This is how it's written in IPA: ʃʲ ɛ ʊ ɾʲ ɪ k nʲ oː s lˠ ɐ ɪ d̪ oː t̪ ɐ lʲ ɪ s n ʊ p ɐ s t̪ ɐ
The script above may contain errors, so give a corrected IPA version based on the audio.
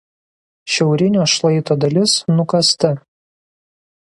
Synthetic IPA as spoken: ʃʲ ɛ ʊ ɾʲ ɪ nʲ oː ʃ lˠ ɐ ɪ t̪ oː d̪ ɐ lʲ ɪ s n ʊ k ɐ s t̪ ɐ

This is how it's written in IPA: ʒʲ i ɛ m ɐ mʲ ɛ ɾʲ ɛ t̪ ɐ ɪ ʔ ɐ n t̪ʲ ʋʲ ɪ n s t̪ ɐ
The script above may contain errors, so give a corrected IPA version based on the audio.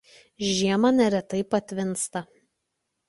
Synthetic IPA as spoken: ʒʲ i ɛ m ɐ nʲ ɛ ɾʲ ɛ t̪ ɐ ɪ p ɐ t̪ʲ ʋʲ ɪ n s t̪ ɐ

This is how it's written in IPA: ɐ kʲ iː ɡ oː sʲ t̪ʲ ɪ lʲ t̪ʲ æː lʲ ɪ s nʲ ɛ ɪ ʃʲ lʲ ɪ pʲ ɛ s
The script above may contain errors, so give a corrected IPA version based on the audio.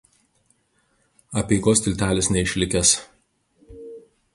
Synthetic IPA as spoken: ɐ pʲ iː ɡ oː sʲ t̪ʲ ɪ lʲ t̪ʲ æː lʲ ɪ s nʲ ɛ ɪ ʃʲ lʲ ɪ kʲ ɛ s

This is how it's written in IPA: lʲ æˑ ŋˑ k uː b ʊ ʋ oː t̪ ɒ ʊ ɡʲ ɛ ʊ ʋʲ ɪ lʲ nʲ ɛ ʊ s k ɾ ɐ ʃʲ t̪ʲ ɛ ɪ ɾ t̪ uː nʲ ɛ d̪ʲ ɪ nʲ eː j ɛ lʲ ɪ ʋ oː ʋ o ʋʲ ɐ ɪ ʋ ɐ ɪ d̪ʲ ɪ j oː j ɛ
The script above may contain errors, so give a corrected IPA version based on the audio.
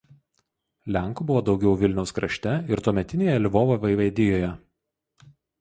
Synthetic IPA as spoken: lʲ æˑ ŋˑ k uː b ʊ ʋ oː d̪ ɒ ʊ ɡʲ ɛ ʊ ʋʲ ɪ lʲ nʲ ɛ ʊ s k ɾ ɐ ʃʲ t̪ʲ ɛ ɪ ɾ t̪ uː mʲ ɛ t̪ʲ ɪ nʲ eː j ɛ lʲ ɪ ʋ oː ʋ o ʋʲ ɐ ɪ ʋ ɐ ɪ d̪ʲ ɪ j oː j ɛ

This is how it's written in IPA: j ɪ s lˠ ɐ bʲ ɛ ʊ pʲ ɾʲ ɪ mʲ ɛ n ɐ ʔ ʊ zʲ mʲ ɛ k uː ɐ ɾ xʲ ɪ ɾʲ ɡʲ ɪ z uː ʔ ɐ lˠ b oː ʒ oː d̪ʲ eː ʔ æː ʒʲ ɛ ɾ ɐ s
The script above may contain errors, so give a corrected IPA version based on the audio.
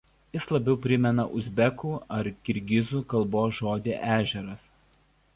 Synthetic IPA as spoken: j ɪ s lˠ ɐ bʲ ɛ ʊ pʲ ɾʲ ɪ mʲ ɛ n ɐ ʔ ʊ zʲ bʲ ɛ k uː ɐ ɾ kʲ ɪ ɾʲ ɡʲ ɪ z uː k ɐ lˠ b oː ʒ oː d̪ʲ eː ʔ æː ʒʲ ɛ ɾ ɐ s

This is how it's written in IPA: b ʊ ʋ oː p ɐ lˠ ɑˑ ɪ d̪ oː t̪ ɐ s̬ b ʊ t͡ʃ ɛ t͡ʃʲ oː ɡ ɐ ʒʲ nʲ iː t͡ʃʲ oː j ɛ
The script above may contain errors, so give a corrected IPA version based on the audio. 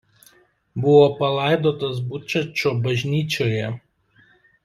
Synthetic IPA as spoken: b ʊ ʋ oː p ɐ lˠ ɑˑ ɪ d̪ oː t̪ ɐ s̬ b ʊ t͡ʃ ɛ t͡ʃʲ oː b ɐ ʒʲ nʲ iː t͡ʃʲ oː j ɛ

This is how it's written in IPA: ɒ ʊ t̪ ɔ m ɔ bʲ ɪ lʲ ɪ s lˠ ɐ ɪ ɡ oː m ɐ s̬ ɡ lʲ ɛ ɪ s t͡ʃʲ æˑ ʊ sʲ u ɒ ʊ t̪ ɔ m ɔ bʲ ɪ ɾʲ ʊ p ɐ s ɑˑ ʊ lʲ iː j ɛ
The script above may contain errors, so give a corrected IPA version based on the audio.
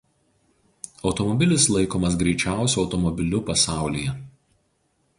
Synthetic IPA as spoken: ɒ ʊ t̪ ɔ m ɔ bʲ ɪ lʲ ɪ s lˠ ɐ ɪ k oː m ɐ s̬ ɡ ɾʲ ɛ ɪ t͡ʃʲ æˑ ʊ sʲ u ɒ ʊ t̪ ɔ m ɔ bʲ ɪ lʲ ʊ p ɐ s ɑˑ ʊ lʲ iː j ɛ

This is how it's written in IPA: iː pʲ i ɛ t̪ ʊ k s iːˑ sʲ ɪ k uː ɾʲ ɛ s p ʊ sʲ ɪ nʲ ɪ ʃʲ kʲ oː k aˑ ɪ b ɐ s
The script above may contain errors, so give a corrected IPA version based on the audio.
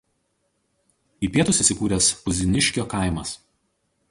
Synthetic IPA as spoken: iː pʲ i ɛ t̪ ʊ s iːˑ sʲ ɪ k uː ɾʲ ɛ s p ʊ zʲ ɪ nʲ ɪ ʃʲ kʲ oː k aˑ ɪ m ɐ s

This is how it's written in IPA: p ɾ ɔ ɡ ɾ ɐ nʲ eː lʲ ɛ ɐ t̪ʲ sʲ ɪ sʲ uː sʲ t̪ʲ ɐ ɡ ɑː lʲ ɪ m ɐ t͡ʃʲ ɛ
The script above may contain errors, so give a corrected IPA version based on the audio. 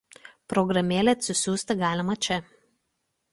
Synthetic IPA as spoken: p ɾ ɔ ɡ ɾ ɐ mʲ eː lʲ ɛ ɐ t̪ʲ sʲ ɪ sʲ uː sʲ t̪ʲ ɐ ɡ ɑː lʲ ɪ m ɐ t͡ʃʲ ɛ

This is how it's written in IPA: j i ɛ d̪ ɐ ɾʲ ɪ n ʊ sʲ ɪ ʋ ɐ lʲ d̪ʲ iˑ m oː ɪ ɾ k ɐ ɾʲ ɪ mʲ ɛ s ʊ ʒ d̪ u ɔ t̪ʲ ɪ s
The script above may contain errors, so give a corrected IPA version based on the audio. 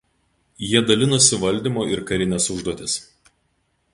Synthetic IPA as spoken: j i ɛ d̪ ɐ lʲ ɪ n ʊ sʲ ɪ ʋ ɐ lʲ d̪ʲ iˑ m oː ɪ ɾ k ɐ ɾʲ ɪ nʲ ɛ s ʊ ʒ d̪ u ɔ t̪ʲ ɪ s

